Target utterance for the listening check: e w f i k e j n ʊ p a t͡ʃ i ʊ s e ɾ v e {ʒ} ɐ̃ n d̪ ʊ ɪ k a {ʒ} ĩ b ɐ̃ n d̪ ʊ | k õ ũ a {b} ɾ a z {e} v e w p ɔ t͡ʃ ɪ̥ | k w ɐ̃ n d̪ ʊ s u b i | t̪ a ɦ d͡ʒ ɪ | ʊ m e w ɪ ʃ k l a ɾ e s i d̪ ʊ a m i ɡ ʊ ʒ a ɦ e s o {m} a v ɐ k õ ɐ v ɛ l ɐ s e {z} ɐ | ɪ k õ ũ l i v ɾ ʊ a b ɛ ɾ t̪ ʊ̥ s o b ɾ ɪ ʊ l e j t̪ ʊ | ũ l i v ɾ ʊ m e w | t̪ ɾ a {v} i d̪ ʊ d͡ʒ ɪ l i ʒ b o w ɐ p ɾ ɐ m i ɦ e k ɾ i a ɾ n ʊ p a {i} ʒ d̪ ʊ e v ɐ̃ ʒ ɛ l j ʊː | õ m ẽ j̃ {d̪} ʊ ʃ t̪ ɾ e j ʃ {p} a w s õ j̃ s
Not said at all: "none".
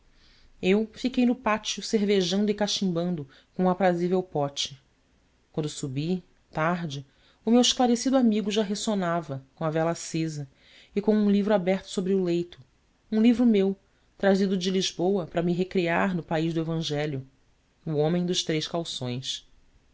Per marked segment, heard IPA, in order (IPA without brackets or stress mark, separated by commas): ʒ, ʃ, p, i, n, z, z, i, d̪, k